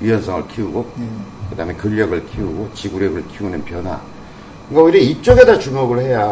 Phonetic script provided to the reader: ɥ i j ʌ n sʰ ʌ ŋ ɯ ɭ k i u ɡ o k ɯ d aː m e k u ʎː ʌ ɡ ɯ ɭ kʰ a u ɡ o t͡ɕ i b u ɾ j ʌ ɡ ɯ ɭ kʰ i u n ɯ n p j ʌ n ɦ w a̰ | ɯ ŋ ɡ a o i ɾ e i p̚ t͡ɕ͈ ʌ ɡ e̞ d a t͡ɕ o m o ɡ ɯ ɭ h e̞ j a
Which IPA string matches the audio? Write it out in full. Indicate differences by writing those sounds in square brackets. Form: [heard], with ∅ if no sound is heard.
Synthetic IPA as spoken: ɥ i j ʌ n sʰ ʌ ŋ ɯ ɭ [kʰ] i u ɡ o k ɯ d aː m e k [ɯ] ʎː ʌ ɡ ɯ ɭ kʰ [i] u ɡ o t͡ɕ i [ɡ] u ɾ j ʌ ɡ ɯ ɭ kʰ i u n ɯ n p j ʌ n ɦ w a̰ | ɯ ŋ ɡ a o i ɾ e i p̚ t͡ɕ͈ ʌ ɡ e̞ d a t͡ɕ [u] m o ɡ ɯ ɭ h e̞ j a